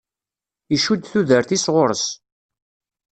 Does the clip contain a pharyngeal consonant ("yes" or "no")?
no